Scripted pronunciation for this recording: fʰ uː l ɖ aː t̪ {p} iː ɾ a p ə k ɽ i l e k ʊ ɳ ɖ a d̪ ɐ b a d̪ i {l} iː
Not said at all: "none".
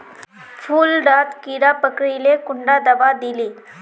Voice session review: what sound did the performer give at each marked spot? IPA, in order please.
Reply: k, l

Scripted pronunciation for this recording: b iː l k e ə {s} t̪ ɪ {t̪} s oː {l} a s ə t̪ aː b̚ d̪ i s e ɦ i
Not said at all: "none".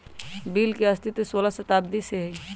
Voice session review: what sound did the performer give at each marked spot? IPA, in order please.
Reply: s, t̪, l

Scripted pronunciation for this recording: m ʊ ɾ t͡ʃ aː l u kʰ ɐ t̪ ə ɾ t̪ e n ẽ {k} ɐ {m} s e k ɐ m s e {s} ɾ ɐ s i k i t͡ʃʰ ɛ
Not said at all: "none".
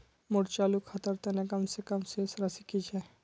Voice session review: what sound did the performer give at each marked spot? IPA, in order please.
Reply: k, m, s

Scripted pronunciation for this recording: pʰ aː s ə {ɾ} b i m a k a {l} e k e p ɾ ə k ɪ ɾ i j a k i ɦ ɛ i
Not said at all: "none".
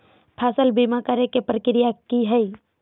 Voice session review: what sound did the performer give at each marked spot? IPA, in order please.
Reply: l, ɾ

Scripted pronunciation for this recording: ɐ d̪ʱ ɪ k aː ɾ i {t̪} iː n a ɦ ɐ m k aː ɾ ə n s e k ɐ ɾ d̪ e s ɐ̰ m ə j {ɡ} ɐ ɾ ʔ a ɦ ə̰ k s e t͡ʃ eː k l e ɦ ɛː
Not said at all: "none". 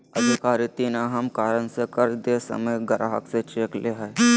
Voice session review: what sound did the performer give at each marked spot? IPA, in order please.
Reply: t̪, ɡ

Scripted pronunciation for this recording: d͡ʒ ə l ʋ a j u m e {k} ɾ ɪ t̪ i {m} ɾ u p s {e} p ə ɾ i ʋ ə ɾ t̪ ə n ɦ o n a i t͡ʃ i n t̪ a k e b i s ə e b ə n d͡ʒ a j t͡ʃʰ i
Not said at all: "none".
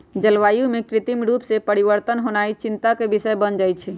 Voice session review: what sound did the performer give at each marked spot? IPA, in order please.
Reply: k, m, e

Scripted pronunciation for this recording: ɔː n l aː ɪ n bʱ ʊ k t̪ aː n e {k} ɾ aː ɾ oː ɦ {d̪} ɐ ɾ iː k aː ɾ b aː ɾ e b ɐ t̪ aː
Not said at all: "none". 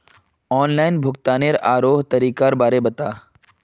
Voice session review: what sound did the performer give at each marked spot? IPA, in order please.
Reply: none, t̪

